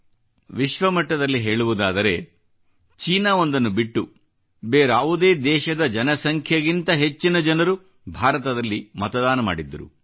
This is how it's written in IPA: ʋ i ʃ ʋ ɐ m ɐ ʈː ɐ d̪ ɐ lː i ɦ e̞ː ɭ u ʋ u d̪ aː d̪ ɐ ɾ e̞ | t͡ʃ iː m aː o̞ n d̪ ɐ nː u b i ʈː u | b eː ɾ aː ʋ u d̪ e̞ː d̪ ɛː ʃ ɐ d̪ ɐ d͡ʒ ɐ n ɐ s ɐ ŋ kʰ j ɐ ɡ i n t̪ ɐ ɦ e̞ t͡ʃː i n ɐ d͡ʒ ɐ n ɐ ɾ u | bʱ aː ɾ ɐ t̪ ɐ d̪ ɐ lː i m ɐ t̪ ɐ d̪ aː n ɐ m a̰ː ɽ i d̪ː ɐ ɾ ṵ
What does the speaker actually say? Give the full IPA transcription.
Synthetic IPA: ʋ i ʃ ʋ ɐ m ɐ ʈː ɐ d̪ ɐ lː i ɦ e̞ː ɭ u ʋ u d̪ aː d̪ ɐ ɾ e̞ | t͡ʃ iː n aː o̞ n d̪ ɐ nː u b i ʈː u | b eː ɾ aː ʋ u d̪ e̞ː d̪ ɛː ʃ ɐ d̪ ɐ d͡ʒ ɐ n ɐ s ɐ ŋ kʰ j ɐ ɡ i n t̪ ɐ ɦ e̞ t͡ʃː i n ɐ d͡ʒ ɐ n ɐ ɾ u | bʱ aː ɾ ɐ t̪ ɐ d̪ ɐ lː i m ɐ t̪ ɐ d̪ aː n ɐ m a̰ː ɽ i d̪ː ɐ ɾ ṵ